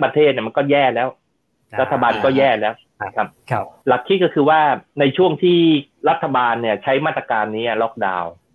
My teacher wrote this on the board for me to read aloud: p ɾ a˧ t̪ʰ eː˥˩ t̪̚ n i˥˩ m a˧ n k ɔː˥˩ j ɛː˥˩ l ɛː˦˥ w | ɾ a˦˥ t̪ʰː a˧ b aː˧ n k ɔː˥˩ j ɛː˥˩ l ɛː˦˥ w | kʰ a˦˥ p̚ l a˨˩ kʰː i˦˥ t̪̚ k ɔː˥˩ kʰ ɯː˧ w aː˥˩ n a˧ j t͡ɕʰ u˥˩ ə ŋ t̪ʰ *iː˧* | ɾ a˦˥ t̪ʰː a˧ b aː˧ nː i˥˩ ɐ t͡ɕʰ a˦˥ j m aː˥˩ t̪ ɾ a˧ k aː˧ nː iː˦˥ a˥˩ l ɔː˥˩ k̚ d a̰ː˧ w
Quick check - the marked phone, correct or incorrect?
incorrect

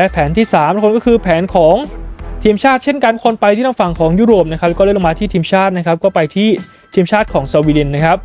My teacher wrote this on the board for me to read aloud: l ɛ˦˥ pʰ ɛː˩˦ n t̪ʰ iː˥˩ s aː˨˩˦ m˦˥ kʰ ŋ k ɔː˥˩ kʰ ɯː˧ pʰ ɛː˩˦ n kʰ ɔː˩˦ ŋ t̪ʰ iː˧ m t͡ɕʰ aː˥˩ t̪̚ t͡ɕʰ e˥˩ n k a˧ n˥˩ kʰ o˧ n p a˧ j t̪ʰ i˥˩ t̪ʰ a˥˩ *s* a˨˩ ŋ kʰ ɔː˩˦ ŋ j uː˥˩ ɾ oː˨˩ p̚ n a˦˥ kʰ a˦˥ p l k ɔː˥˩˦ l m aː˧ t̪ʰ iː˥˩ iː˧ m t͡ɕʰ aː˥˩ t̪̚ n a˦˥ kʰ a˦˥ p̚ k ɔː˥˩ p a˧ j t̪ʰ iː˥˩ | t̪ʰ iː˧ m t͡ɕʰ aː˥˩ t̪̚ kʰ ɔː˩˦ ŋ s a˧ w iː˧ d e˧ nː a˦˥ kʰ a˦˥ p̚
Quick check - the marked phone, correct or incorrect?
incorrect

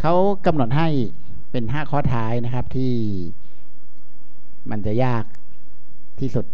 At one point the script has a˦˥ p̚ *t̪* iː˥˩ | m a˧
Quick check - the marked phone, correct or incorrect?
incorrect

